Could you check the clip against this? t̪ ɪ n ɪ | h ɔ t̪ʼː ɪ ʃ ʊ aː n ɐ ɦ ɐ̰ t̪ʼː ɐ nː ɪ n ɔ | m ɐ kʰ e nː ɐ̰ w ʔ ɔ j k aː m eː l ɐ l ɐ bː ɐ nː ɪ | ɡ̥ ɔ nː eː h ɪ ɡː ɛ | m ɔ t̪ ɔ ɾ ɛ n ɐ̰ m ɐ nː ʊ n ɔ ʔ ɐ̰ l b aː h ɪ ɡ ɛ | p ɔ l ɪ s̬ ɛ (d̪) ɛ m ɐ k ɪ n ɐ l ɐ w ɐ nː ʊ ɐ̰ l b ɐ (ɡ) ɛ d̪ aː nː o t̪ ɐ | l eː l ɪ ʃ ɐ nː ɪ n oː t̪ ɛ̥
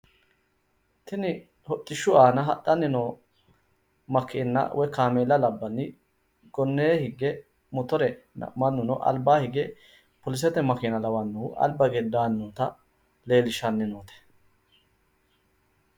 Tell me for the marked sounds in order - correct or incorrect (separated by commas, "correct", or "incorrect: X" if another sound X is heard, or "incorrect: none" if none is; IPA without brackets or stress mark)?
incorrect: t̪, correct